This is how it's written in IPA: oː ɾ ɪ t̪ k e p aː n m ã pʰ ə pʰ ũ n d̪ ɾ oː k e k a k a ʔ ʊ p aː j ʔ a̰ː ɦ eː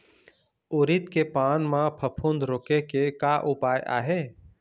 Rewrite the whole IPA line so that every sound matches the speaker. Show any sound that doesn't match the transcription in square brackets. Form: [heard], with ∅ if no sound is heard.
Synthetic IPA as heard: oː ɾ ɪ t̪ k e p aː n m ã pʰ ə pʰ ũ n d̪ ɾ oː k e k [e] k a ʔ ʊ p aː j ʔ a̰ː ɦ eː